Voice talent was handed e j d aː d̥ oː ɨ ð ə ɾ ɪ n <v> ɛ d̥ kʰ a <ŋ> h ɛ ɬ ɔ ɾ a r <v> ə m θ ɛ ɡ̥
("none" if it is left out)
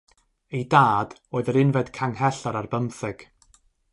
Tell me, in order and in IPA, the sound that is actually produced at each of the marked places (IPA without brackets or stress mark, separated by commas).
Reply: v, ŋ, b